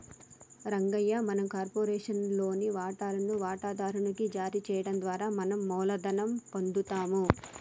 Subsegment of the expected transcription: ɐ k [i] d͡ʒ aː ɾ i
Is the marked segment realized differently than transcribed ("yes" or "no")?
no